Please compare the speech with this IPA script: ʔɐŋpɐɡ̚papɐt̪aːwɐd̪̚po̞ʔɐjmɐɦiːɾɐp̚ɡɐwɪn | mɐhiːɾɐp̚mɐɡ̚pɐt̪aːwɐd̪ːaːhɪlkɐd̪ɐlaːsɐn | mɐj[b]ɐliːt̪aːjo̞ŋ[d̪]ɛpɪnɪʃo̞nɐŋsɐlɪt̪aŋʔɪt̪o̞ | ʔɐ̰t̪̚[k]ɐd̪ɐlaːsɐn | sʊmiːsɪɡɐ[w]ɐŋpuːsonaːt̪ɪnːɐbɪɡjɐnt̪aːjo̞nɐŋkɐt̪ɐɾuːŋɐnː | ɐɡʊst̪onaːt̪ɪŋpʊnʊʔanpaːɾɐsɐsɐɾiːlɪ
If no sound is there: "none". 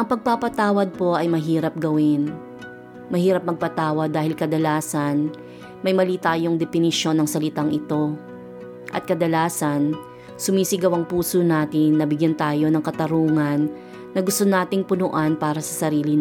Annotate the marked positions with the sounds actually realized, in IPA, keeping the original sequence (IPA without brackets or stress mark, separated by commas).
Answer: m, d̪, k, w